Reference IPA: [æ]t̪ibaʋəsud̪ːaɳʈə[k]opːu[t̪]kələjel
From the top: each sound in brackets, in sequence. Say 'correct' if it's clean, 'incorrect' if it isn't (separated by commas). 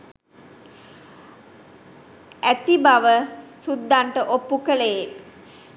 correct, incorrect, incorrect